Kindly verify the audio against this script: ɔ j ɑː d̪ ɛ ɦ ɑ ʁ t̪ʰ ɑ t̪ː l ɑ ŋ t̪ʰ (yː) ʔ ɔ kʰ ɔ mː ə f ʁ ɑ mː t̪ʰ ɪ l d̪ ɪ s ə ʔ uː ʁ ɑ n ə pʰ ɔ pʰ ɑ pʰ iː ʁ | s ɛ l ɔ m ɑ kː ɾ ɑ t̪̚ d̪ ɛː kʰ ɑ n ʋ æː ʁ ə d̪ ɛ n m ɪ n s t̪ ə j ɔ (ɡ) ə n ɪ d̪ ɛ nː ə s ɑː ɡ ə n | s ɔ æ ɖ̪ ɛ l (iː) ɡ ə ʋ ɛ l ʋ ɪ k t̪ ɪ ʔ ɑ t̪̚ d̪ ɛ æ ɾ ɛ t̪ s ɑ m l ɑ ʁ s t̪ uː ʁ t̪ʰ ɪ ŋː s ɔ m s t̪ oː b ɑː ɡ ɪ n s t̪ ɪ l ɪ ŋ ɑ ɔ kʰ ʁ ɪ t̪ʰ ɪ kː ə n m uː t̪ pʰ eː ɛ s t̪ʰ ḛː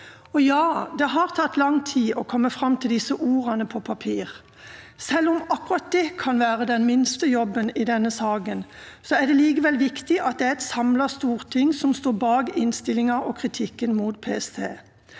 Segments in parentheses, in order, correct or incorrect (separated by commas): incorrect, incorrect, correct